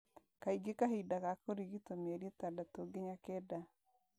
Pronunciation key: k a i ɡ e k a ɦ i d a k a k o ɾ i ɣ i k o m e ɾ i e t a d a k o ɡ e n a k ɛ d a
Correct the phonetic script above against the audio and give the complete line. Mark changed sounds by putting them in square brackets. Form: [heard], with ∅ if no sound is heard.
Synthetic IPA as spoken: k a i ɡ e k a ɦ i d a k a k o ɾ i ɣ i [t] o m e ɾ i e t a d a [t] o ɡ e [ɲ] a k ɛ d a